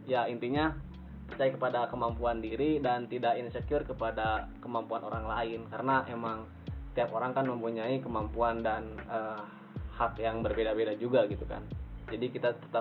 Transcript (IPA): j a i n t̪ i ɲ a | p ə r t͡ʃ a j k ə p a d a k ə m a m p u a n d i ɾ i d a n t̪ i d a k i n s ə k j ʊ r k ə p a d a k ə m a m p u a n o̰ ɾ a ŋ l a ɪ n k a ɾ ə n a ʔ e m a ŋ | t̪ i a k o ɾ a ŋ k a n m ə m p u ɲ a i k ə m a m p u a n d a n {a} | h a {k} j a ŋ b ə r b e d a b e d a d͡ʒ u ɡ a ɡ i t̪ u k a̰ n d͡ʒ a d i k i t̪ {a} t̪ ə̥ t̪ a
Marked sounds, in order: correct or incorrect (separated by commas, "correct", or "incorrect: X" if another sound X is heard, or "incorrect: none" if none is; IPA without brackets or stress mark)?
incorrect: ə, correct, correct